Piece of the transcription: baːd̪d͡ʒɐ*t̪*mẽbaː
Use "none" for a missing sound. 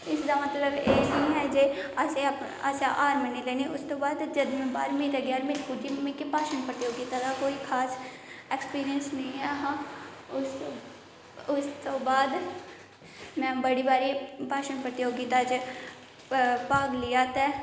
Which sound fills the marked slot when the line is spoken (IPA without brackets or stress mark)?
d̪